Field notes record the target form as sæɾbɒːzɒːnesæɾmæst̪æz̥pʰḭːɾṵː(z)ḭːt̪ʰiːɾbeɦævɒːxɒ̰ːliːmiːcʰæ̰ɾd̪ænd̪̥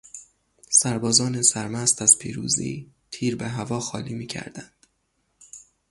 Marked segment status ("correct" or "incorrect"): correct